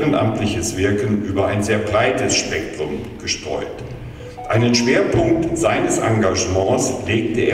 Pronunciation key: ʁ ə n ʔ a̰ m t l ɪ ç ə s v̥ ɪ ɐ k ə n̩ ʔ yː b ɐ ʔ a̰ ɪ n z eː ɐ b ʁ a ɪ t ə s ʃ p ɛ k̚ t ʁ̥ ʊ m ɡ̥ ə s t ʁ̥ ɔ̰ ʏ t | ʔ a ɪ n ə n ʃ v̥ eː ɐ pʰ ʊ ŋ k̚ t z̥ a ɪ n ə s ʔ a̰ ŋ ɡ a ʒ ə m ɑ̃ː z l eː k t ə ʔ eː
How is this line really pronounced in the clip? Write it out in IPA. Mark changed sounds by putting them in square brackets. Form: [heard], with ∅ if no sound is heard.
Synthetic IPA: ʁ ə n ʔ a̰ m t l ɪ ç ə s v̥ ɪ ɐ k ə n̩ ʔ yː b ɐ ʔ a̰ ɪ n z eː ɐ b ʁ a ɪ t ə s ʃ p ɛ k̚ t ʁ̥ ʊ m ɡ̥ ə [ʃ] t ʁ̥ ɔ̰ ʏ t | ʔ a ɪ n ə n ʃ v̥ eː ɐ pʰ ʊ ŋ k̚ t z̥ a ɪ n ə s ʔ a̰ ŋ ɡ a ʒ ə m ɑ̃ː [s] l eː k t ə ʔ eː